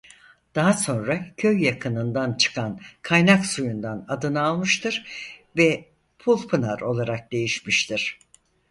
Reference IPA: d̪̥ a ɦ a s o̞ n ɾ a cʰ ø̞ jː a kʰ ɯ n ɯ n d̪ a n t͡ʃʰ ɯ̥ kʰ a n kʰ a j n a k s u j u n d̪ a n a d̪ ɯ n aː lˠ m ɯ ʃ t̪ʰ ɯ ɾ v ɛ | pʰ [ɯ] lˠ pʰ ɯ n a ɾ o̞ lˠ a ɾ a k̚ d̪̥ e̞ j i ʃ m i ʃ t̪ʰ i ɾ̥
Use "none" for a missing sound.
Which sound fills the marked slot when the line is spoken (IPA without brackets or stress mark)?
u